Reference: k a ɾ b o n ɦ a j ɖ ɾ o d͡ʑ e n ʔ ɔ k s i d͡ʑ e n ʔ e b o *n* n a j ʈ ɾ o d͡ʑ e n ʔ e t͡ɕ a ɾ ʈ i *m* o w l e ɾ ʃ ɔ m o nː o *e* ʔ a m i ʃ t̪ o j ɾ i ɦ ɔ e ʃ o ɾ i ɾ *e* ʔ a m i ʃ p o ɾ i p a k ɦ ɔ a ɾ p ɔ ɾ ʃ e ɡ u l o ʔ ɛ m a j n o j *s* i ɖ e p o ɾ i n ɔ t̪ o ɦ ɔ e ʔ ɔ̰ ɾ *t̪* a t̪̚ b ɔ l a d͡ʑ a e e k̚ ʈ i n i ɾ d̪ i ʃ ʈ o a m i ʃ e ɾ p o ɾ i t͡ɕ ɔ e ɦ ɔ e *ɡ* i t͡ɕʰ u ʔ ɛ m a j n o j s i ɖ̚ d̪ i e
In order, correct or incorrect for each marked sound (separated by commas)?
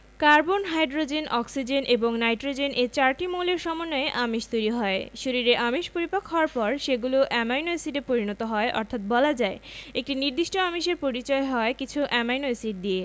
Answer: incorrect, correct, correct, correct, correct, incorrect, incorrect